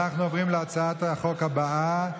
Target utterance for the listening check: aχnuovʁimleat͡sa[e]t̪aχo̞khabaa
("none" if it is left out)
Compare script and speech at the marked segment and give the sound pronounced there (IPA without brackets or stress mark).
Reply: a